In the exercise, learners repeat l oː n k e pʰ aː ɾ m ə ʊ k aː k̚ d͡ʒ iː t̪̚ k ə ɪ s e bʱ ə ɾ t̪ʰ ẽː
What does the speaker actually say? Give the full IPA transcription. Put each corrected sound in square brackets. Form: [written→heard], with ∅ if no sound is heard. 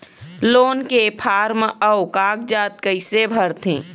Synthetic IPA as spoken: l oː n k e pʰ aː ɾ m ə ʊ k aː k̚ d͡ʒ [iː→aː] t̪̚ k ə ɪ s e bʱ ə ɾ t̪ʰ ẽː

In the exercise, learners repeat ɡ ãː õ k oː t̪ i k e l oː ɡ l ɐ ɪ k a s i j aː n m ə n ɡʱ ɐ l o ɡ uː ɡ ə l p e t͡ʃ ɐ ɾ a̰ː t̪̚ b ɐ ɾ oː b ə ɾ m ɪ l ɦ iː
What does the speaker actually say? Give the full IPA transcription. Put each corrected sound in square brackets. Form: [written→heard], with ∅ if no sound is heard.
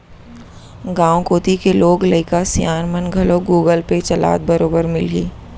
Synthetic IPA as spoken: ɡ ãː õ k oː t̪ i k e l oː ɡ l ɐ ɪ k a s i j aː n m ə n ɡʱ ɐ l o ɡ uː ɡ ə l p e t͡ʃ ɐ [ɾ→l] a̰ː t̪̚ b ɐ ɾ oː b ə ɾ m ɪ l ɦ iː

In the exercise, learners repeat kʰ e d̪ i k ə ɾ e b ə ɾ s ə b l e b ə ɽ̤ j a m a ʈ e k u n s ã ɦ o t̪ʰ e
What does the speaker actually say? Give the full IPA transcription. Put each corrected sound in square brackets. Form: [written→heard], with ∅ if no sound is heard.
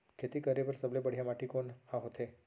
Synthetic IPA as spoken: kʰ e [d̪→t̪] i k ə ɾ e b ə ɾ s ə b l e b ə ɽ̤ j a m a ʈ [e→i] k [u→o] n [s→h] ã ɦ o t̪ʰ e

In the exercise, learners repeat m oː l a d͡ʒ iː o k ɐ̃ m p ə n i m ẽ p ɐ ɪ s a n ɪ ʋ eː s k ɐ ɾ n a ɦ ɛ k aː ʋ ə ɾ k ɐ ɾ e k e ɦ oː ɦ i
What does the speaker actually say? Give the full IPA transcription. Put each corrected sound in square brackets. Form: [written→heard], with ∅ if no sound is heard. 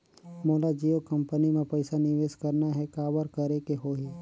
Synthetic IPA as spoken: m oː l a d͡ʒ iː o k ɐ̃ m p ə n i m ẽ p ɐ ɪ s a n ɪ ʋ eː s k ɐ ɾ n a ɦ ɛ k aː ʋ ə ɾ k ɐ ɾ e k e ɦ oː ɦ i

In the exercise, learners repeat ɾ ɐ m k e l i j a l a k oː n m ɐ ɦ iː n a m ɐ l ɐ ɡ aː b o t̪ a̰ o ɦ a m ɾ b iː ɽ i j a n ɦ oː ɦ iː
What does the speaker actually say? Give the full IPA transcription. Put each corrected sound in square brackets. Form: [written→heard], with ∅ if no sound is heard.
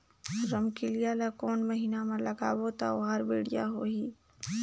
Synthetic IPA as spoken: ɾ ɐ m k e l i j a l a k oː n m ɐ ɦ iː n a m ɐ l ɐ ɡ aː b o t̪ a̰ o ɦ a [m→∅] ɾ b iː ɽ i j a [n→∅] ɦ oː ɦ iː

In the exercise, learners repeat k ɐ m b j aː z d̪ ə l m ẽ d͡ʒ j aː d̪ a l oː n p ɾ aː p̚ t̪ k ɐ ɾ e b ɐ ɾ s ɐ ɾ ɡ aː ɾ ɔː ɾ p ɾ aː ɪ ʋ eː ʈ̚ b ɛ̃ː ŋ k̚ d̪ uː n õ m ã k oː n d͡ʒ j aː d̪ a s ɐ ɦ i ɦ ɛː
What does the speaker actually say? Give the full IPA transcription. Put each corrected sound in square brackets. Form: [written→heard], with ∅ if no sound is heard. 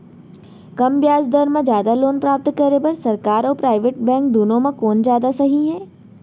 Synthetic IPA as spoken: k ɐ m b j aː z d̪ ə [l→ɾ] m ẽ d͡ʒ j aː d̪ a l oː n p ɾ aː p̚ t̪ k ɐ ɾ e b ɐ ɾ s ɐ ɾ [ɡ→k] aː ɾ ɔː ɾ p ɾ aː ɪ ʋ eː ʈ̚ b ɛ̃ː ŋ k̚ d̪ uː n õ m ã k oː n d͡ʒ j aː d̪ a s ɐ ɦ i ɦ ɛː

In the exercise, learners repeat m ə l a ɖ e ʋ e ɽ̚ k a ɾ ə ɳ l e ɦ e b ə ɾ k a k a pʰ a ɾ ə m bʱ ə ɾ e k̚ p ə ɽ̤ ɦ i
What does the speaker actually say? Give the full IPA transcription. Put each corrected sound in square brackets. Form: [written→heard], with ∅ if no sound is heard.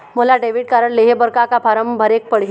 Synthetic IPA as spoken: m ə l a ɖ e ʋ [e→i] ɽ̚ k a ɾ ə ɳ l e ɦ e b ə ɾ k a k a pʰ a ɾ ə m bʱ ə ɾ e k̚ p ə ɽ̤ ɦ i

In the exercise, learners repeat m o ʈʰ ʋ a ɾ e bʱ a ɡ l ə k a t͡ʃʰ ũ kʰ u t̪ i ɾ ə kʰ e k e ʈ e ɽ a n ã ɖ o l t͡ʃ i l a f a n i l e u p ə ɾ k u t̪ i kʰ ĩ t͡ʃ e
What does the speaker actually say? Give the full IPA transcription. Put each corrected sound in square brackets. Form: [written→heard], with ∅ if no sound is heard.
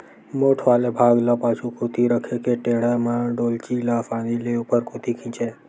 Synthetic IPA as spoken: m o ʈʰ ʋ a [ɾ→l] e bʱ a ɡ l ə [k→p] a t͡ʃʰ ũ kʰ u t̪ i ɾ ə kʰ e k e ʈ e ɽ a [n→m] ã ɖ o l t͡ʃ i l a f a n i l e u p ə ɾ k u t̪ i kʰ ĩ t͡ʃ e

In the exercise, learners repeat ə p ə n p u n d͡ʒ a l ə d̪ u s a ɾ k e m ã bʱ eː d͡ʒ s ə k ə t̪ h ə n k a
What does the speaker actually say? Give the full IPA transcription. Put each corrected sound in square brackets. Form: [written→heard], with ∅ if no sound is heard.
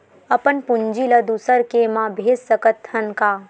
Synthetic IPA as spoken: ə p ə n p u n d͡ʒ [a→i] l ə d̪ u s [a→ə] ɾ k e m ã bʱ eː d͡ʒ s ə k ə t̪ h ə n k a

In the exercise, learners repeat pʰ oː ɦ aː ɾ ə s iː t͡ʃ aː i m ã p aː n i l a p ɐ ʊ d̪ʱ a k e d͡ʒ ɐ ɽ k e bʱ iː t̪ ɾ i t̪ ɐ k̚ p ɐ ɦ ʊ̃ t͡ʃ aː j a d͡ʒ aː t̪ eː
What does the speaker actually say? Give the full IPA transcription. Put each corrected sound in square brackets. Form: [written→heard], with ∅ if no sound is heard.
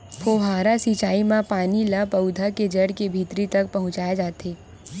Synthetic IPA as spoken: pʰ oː ɦ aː ɾ [ə→a] s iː t͡ʃ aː i m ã p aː n i l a p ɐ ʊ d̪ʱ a k e d͡ʒ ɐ ɽ k e bʱ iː t̪ ɾ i t̪ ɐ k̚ p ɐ ɦ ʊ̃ t͡ʃ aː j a d͡ʒ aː t̪ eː

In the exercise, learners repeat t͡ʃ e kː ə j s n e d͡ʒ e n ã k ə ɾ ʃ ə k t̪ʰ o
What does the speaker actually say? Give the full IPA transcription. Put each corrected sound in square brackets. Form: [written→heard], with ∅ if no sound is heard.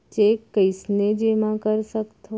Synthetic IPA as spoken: t͡ʃ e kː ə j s n e d͡ʒ e [n→m] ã k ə ɾ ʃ ə k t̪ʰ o

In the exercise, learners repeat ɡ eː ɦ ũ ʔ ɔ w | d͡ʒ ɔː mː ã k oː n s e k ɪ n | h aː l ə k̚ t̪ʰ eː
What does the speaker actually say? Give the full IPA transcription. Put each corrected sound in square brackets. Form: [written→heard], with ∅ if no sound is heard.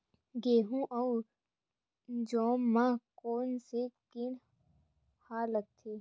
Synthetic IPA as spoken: ɡ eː ɦ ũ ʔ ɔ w | d͡ʒ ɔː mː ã k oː n s e k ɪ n | h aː l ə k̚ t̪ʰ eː

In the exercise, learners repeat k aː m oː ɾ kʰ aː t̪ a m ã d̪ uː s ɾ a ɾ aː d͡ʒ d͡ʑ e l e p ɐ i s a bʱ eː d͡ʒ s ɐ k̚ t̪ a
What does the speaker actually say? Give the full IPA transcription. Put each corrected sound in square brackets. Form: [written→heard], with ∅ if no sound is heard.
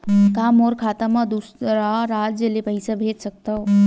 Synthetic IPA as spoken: k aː m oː ɾ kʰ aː t̪ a m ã d̪ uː s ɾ a ɾ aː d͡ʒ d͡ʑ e l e p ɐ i s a bʱ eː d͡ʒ s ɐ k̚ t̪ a

